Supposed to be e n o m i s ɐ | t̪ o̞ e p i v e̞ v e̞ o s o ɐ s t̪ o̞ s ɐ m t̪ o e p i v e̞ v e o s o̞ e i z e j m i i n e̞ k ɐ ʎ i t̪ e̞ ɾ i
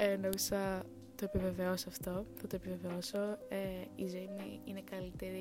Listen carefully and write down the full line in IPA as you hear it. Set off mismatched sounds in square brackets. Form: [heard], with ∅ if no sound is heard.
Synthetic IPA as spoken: e n o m i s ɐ | t̪ o̞ e p i v e̞ v e̞ o s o ɐ [f] t̪ o̞ [θ] ɐ [∅] t̪ o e p i v e̞ v e o s o̞ e i z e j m i i n e̞ k ɐ [l] i t̪ e̞ ɾ i